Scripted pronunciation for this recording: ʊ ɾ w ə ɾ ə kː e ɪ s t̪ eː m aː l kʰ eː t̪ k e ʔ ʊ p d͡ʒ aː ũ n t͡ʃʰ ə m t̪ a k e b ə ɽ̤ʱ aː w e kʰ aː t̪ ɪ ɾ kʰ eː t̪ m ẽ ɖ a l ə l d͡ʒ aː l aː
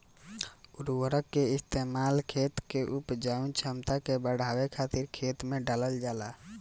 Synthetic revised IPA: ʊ ɾ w ə ɾ ə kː e ɪ s t̪ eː m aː l kʰ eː t̪ k e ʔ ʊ p d͡ʒ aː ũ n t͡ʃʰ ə m t̪ a k e b ə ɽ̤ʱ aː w e kʰ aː t̪ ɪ ɾ kʰ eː t̪ m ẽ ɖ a l ə l d͡ʒ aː l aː